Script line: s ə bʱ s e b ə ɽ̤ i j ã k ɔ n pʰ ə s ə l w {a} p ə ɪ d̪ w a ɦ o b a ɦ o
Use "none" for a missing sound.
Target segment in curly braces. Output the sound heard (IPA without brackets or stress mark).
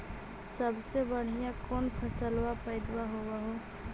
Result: a